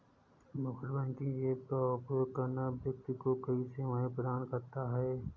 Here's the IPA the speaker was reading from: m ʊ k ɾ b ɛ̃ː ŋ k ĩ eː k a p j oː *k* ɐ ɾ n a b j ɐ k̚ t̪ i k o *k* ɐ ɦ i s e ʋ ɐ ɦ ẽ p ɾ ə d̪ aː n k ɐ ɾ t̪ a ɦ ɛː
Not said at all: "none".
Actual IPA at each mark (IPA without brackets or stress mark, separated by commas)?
k, k